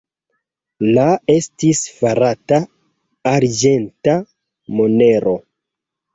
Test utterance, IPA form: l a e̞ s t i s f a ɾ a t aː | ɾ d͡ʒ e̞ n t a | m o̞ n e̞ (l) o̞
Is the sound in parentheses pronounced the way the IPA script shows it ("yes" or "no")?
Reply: no